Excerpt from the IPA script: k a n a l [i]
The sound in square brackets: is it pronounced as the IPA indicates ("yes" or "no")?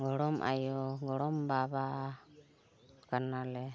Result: no